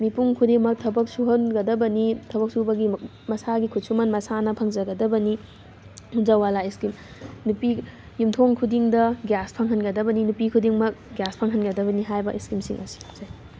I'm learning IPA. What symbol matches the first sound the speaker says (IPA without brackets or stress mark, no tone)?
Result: m